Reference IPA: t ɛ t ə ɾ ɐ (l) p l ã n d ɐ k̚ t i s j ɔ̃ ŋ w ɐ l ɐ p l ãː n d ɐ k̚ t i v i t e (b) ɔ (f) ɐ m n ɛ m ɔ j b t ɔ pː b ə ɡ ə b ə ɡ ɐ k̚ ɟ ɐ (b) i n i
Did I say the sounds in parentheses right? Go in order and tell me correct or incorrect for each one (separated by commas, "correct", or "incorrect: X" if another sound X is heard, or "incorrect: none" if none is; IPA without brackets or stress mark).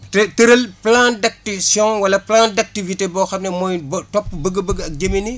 correct, correct, incorrect: x, incorrect: m